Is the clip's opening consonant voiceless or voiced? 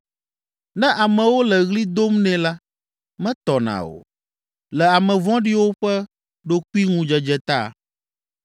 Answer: voiced